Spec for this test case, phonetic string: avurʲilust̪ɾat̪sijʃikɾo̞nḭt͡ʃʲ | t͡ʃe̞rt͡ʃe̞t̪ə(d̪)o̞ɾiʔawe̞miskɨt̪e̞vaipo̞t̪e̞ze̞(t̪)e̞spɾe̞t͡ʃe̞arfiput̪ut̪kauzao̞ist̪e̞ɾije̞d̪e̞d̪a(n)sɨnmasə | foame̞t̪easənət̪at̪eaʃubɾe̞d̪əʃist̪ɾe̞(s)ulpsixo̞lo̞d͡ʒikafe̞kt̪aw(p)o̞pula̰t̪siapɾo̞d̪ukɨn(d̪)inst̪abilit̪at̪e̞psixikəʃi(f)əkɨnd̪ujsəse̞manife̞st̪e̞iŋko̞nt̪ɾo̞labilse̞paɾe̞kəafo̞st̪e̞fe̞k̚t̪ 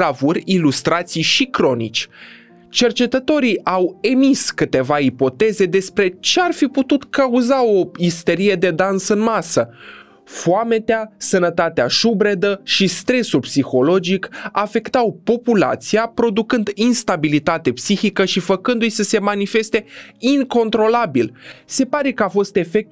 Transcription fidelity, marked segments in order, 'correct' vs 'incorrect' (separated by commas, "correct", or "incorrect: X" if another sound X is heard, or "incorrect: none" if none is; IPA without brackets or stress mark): incorrect: t̪, incorrect: d̪, correct, correct, correct, correct, correct